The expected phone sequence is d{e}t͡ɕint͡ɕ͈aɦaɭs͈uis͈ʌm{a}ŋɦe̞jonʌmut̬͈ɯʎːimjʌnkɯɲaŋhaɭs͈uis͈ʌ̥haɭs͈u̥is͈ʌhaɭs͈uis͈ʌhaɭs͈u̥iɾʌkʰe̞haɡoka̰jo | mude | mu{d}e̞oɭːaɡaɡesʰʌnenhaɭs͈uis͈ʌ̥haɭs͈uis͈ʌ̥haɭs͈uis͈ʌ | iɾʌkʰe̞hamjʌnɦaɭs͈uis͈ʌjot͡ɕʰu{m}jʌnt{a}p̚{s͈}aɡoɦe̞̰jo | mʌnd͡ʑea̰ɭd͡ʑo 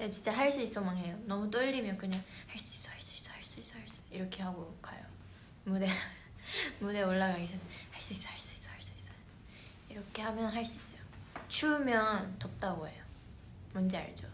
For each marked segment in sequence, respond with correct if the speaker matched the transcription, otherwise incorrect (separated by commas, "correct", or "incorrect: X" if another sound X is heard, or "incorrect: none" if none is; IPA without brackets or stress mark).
correct, correct, correct, correct, incorrect: ʌ, incorrect: t͈